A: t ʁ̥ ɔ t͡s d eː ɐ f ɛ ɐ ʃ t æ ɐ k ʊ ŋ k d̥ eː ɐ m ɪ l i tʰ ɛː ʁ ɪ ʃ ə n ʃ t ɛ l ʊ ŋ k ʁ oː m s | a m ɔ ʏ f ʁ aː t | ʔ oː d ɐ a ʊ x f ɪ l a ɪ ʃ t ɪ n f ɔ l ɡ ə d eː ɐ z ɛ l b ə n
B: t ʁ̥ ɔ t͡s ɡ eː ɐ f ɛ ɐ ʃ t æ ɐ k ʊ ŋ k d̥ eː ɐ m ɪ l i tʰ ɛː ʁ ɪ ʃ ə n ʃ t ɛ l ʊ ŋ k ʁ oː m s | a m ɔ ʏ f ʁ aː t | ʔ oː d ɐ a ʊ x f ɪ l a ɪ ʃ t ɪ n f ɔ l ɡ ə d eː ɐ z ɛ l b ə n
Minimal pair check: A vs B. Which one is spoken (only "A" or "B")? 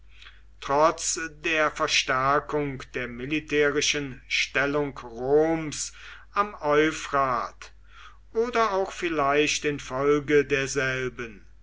A